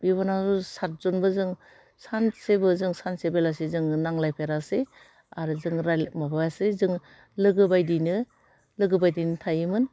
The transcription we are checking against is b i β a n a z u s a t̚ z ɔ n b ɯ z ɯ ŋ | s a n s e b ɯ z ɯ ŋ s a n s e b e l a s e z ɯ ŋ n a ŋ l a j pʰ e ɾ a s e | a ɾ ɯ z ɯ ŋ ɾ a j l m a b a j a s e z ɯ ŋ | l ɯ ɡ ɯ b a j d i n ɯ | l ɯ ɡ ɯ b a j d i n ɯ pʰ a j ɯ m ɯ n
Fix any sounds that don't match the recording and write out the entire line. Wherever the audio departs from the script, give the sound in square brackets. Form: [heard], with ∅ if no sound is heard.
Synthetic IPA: b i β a n a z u s a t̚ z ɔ n b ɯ z ɯ ŋ | s a n s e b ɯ z ɯ ŋ s a n s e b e l a s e z ɯ ŋ n a ŋ l a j pʰ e ɾ a s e | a ɾ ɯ z ɯ ŋ ɾ a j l m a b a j a s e z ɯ ŋ | l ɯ ɡ ɯ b a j d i n ɯ | l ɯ ɡ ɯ b a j d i n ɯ [tʰ] a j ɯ m ɯ n

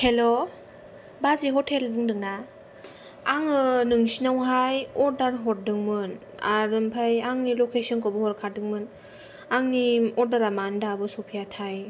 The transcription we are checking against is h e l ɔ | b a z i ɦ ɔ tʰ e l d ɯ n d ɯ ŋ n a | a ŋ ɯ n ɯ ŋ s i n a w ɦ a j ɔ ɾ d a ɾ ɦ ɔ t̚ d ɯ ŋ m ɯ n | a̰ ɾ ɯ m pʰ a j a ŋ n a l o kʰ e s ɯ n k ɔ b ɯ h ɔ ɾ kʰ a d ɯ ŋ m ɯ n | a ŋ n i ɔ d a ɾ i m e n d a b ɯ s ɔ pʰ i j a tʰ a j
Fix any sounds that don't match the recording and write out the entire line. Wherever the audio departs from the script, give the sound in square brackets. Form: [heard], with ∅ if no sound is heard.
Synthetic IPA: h e l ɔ | b a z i ɦ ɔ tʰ e l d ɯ [ŋ] d ɯ ŋ n a | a ŋ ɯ n ɯ ŋ s i n a w ɦ a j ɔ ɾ d a ɾ ɦ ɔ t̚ d ɯ ŋ m ɯ n | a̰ ɾ ɯ m pʰ a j a ŋ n [i] l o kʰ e s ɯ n k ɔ b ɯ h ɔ ɾ kʰ a d ɯ ŋ m ɯ n | a ŋ n i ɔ d a ɾ [a] m [a] n d a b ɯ s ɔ pʰ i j a tʰ a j

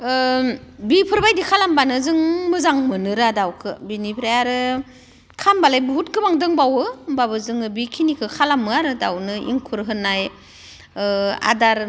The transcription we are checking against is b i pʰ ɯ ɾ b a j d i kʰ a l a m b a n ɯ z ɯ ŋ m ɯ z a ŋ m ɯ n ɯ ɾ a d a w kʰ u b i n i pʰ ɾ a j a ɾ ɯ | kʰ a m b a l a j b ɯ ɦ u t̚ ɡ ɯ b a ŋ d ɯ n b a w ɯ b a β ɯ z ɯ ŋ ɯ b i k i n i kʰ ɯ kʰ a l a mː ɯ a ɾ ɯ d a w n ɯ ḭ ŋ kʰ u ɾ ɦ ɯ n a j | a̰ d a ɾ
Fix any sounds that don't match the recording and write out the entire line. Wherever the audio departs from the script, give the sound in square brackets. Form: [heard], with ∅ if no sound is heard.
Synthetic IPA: b i pʰ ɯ ɾ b a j d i kʰ a l a m b a n ɯ z ɯ ŋ m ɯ z a ŋ m ɯ n ɯ ɾ a d a w kʰ [ɯ] b i n i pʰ ɾ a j a ɾ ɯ | kʰ a m b a l a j b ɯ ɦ u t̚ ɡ ɯ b a ŋ d ɯ [ŋ] b a w ɯ b a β ɯ z ɯ ŋ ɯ b i [kʰ] i n i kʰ ɯ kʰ a l a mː ɯ a ɾ ɯ d a w n ɯ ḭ ŋ kʰ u ɾ ɦ ɯ n a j | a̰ d a ɾ

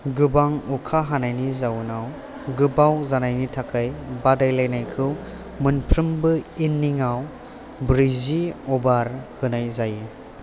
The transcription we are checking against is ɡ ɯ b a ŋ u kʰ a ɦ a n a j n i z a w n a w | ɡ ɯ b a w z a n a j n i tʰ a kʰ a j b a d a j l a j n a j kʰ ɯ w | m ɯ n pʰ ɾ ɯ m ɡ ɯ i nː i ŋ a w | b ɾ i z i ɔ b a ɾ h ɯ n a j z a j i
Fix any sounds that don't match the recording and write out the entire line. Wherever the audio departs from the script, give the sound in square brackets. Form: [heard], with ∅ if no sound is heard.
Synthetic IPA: ɡ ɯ b a ŋ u kʰ a ɦ a n a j n i z a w n a w | ɡ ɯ b a w z a n a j n i tʰ a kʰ a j b a d a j l a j n a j kʰ ɯ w | m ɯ n pʰ ɾ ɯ m [b] ɯ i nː i ŋ a w | b ɾ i z i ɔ b a ɾ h ɯ n a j z a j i

